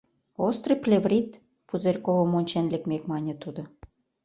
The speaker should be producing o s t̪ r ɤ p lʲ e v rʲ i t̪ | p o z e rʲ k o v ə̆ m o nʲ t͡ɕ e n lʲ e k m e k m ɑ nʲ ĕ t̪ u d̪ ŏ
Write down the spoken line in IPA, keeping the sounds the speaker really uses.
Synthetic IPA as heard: o s t̪ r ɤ p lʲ e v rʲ i t̪ | p u z e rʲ k o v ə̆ m o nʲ t͡ɕ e n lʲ e k m e k m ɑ nʲ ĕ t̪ u d̪ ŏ